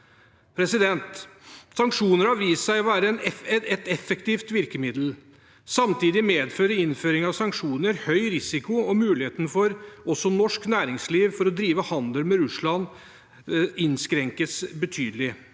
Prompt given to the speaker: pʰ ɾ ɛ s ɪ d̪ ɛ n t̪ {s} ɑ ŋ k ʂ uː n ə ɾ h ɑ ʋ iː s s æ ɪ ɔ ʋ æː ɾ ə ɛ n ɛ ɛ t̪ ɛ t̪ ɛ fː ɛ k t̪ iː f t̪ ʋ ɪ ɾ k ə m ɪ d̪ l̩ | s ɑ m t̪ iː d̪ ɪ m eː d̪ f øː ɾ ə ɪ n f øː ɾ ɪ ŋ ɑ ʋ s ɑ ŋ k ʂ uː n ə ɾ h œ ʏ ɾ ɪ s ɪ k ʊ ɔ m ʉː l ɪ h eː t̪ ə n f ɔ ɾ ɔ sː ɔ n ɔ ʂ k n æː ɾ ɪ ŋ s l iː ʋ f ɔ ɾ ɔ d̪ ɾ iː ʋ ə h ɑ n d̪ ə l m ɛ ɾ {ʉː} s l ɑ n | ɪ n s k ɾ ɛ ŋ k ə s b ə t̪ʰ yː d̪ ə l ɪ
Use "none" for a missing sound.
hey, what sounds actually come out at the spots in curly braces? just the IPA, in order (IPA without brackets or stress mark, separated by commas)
s, ʉ